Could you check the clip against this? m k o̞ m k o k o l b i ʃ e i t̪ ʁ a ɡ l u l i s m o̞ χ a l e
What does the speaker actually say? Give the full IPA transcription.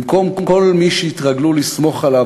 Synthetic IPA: m k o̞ m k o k o l m i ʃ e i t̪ ʁ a ɡ l u l i s m o̞ χ a l a